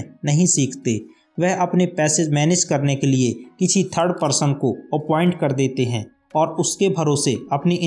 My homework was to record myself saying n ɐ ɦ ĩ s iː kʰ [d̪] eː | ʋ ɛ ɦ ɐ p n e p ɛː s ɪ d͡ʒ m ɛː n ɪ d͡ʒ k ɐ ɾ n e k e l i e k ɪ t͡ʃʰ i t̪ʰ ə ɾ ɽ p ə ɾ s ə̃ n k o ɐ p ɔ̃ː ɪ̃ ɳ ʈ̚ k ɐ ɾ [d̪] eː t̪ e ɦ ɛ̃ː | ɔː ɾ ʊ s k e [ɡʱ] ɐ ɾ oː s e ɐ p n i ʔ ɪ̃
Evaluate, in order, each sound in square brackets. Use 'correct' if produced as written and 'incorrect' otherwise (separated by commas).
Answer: incorrect, correct, incorrect